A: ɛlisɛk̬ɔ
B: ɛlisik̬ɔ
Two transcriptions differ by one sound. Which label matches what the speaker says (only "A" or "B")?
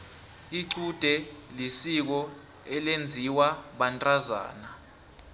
B